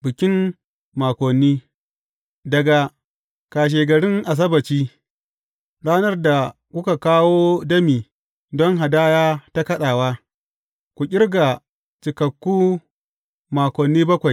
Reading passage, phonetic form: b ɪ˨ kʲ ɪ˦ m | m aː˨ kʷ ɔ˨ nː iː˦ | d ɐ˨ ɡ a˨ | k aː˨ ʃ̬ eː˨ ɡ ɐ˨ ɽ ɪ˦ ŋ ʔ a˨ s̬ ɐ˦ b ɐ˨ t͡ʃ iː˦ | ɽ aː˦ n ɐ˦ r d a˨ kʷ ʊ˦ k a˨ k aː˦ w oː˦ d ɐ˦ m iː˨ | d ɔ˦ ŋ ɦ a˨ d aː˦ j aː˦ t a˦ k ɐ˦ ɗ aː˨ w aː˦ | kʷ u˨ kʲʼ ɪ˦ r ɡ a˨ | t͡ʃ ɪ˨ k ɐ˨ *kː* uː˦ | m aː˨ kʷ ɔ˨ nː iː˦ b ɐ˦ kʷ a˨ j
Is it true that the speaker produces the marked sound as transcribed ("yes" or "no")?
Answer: yes